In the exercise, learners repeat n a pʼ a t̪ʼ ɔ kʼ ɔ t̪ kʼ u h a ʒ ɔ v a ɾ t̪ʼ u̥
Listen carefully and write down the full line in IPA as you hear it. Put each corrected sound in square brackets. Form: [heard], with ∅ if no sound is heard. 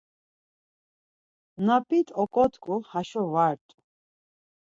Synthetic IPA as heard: n a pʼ [i] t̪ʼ ɔ kʼ ɔ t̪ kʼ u h a [ʃ] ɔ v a ɾ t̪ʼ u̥